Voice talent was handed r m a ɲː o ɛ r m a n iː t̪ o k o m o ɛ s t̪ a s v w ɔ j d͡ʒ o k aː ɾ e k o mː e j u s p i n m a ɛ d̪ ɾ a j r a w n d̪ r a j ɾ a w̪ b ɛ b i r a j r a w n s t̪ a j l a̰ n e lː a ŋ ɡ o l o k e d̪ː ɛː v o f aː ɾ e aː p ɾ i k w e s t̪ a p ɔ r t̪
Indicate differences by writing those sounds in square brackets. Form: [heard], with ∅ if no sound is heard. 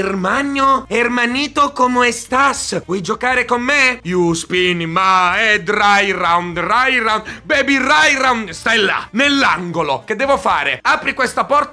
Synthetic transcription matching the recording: r m a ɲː o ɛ r m a n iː t̪ o k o m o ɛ s t̪ a s v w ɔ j d͡ʒ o k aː ɾ e k o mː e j u s p i n m a ɛ d̪ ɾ a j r a w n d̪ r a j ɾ a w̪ b ɛ b i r a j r a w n s t̪ a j l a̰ n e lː a ŋ ɡ o l o k e d̪ː ɛː v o f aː ɾ e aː p ɾ i k w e s t̪ a p ɔ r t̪